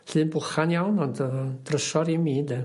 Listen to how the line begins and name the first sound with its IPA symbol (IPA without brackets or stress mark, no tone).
ɬ